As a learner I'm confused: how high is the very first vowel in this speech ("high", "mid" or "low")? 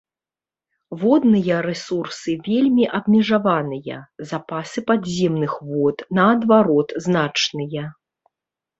mid